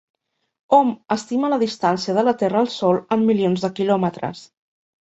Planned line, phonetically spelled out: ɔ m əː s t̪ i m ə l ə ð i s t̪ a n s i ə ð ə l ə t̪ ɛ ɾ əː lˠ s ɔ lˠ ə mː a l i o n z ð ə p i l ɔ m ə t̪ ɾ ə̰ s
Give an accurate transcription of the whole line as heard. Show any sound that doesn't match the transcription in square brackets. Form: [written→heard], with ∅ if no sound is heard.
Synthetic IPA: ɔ m [əː→ə] s t̪ i m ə l ə ð i s t̪ a n s i ə ð ə l ə t̪ ɛ [ɾ→r] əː lˠ s ɔ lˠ ə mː [a→i] l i o n z ð ə [p→k] i l ɔ m ə t̪ ɾ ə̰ s